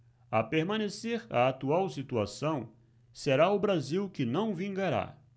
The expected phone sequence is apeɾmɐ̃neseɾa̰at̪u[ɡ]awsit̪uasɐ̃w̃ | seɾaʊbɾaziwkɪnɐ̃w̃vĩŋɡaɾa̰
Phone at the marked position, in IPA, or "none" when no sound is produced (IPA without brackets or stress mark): none